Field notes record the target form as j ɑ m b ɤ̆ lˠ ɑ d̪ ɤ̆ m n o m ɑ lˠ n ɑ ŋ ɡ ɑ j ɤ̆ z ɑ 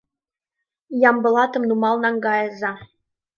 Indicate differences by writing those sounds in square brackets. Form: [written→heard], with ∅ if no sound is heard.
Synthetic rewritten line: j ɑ m b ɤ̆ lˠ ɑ [d̪→t̪] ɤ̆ m n [o→u] m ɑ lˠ n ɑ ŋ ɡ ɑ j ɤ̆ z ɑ